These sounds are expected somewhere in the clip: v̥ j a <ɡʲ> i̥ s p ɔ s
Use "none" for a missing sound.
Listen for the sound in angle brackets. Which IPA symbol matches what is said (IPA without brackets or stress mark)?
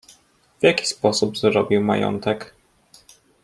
kʲ